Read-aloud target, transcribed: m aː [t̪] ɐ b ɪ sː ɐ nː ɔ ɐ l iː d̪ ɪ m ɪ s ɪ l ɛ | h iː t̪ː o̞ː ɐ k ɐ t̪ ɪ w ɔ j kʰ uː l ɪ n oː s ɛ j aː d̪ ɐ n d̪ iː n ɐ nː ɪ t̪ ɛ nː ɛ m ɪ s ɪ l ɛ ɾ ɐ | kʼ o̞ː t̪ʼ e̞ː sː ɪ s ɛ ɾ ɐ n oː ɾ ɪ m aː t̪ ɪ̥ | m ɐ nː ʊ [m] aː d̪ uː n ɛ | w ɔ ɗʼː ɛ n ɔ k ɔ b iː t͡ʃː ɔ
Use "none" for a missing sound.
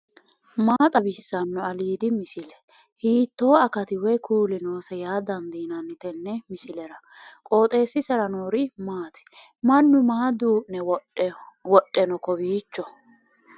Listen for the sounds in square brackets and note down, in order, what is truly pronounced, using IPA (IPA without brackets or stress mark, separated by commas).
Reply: t̪ʼ, m